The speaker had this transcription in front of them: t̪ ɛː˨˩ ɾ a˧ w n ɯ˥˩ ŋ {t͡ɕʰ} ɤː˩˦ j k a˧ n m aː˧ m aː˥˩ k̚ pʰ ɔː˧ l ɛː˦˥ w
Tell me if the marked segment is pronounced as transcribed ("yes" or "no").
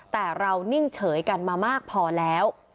yes